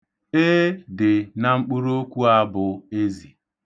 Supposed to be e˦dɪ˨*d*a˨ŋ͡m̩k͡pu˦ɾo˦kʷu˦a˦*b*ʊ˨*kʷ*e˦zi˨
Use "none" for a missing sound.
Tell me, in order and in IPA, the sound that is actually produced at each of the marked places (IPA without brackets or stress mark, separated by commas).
n, b, none